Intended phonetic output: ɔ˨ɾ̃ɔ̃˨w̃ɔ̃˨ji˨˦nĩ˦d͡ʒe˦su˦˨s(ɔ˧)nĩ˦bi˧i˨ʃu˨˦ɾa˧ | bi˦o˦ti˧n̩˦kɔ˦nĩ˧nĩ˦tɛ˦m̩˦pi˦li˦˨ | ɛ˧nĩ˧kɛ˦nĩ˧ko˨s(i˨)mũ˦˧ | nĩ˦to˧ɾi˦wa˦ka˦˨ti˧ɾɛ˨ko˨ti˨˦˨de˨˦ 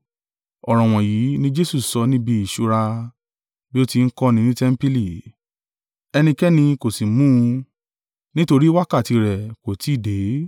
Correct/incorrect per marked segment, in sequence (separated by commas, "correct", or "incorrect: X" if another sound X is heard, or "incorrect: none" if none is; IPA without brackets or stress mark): correct, correct